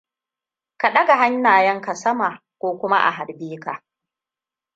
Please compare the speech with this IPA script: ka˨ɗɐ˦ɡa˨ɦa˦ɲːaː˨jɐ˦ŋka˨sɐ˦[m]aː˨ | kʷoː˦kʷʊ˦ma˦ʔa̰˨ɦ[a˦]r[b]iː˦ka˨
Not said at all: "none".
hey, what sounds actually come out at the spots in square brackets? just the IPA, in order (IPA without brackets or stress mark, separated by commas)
m, a˨, b